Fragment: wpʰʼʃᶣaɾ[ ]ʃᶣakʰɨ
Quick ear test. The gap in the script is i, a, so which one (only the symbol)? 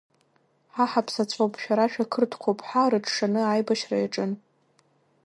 a